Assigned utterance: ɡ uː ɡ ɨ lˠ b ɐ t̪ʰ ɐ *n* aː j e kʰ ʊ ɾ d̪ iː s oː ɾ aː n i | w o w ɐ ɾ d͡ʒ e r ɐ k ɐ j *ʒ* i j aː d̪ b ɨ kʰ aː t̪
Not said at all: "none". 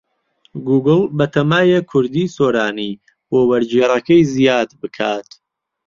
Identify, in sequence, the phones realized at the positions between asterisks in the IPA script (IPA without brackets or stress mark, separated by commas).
m, z